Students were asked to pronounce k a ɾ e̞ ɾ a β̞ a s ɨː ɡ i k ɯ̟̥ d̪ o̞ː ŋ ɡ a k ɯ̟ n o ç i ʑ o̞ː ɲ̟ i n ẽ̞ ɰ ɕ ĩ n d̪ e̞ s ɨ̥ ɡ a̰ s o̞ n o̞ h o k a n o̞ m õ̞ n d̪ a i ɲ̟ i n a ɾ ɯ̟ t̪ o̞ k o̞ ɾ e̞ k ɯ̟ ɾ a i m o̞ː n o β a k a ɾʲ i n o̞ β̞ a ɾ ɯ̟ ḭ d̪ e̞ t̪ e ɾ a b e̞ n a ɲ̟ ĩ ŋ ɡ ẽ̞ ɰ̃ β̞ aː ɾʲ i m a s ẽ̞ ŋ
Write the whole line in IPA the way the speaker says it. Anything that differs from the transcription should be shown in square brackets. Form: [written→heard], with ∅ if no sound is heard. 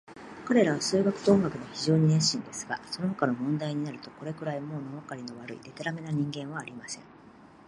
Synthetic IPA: k a ɾ e̞ ɾ a β̞ a s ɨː ɡ [i→a] k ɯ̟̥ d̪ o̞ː ŋ ɡ a k ɯ̟ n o ç i ʑ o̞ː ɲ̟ i n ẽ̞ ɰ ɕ ĩ n d̪ e̞ s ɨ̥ ɡ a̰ s o̞ n o̞ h o k a n o̞ m õ̞ n d̪ a i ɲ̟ i n a ɾ ɯ̟ t̪ o̞ k o̞ ɾ e̞ k ɯ̟ ɾ a i m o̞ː n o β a k a ɾʲ i n o̞ β̞ a ɾ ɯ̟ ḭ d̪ e̞ t̪ e ɾ a [b→m] e̞ n a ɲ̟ ĩ ŋ ɡ ẽ̞ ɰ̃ β̞ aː ɾʲ i m a s ẽ̞ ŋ